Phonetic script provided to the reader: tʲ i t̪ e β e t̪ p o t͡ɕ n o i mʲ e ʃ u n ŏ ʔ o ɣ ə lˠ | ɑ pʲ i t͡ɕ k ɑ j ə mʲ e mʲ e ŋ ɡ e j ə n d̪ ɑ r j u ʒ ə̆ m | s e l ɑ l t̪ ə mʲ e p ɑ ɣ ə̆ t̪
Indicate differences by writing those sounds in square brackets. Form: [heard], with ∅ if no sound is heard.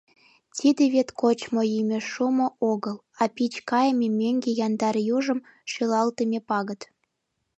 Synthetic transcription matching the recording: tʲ i [d̪] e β e t̪ [k] o t͡ɕ [m] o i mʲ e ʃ u [m] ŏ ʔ o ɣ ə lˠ | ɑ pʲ i t͡ɕ k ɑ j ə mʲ e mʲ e ŋ ɡ e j [ɑ] n d̪ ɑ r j u ʒ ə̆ m | [ʃ] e l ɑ l t̪ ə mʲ e p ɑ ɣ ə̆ t̪